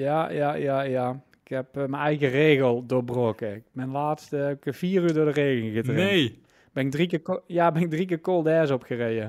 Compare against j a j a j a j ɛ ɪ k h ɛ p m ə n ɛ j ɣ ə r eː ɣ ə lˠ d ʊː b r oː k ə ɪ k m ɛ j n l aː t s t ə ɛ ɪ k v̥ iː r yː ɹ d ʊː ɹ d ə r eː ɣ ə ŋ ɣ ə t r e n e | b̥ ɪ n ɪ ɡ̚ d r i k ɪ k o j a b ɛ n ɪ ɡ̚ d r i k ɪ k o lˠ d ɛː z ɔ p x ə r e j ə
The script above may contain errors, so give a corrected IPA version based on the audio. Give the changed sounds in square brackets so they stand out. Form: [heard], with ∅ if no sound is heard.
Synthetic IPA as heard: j a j a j a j [a] ɪ k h ɛ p m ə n ɛ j ɣ ə r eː ɣ ə lˠ d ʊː b r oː k ə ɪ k m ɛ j n l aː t s t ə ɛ ɪ k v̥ iː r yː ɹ d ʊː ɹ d ə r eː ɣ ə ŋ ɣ ə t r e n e | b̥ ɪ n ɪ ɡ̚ d r i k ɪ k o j a b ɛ n ɪ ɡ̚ d r i k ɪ k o lˠ d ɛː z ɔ p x ə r e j ə